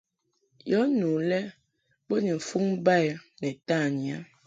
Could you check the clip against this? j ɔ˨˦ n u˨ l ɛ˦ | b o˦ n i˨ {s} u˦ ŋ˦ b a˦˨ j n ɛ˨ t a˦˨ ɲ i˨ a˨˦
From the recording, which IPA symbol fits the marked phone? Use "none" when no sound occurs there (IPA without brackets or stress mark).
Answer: f